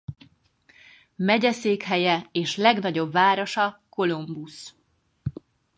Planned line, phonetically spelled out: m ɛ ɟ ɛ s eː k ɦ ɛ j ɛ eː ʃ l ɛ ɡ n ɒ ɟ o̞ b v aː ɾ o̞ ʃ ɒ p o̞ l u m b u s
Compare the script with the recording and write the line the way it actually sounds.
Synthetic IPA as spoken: m ɛ ɟ ɛ s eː k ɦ ɛ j ɛ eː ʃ l ɛ ɡ n ɒ ɟ o̞ b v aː ɾ o̞ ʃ ɒ k o̞ l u m b u s

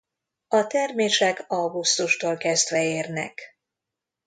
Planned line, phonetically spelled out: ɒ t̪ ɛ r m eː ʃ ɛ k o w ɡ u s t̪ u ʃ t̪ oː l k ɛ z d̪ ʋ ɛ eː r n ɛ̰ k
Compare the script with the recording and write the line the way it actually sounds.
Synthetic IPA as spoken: ɒ t̪ ɛ r m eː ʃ ɛ k ɒ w ɡ u s t̪ u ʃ t̪ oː l k ɛ z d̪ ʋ ɛ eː r n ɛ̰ k

